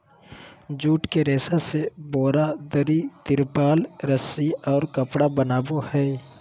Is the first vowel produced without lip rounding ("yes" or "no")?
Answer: no